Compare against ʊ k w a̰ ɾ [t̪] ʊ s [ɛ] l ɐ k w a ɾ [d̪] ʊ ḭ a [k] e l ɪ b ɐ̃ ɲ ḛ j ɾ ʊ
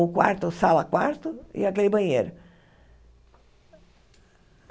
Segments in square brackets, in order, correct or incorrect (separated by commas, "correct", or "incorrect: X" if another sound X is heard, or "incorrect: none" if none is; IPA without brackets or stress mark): correct, incorrect: a, incorrect: t̪, correct